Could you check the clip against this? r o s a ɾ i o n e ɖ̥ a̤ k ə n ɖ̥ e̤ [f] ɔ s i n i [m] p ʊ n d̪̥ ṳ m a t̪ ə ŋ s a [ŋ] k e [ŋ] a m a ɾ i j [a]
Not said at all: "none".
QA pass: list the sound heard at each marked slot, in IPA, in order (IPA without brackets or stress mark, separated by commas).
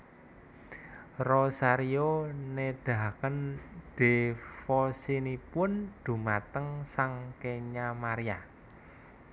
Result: f, none, ŋ, ɲ, a